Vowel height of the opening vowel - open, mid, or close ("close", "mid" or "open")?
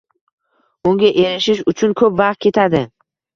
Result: close